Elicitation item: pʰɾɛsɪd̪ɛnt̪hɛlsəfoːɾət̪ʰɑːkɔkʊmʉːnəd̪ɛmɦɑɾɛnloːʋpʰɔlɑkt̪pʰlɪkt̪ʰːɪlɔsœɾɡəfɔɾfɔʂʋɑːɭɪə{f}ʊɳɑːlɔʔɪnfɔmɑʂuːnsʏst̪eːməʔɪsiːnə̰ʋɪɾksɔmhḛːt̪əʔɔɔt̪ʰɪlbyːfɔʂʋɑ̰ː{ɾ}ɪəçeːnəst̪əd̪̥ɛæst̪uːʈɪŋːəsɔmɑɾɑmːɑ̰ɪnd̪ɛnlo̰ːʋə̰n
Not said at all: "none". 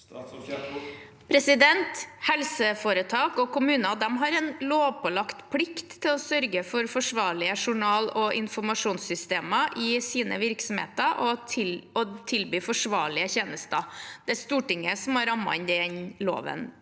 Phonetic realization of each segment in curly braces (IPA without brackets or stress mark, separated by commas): ʂ, ɭ